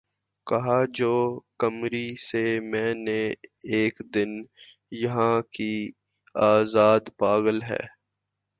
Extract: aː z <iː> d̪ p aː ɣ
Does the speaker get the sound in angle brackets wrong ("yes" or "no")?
yes